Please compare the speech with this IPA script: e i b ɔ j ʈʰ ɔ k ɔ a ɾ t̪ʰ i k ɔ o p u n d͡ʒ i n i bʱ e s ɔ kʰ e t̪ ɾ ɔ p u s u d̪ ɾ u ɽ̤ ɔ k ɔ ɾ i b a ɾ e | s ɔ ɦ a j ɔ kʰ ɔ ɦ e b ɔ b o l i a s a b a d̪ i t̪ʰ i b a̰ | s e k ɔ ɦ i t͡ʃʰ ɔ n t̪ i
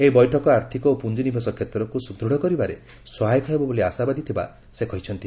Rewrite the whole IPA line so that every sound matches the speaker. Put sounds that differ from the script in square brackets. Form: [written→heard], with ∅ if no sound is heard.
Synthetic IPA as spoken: e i b ɔ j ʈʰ ɔ k ɔ a ɾ t̪ʰ i k ɔ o p u n d͡ʒ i n i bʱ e s ɔ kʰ e t̪ ɾ ɔ [p→k] u s u d̪ ɾ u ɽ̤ ɔ k ɔ ɾ i b a ɾ e | s ɔ ɦ a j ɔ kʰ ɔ ɦ e b ɔ b o l i a s a b a d̪ i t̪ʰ i b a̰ | s e k ɔ ɦ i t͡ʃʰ ɔ n t̪ i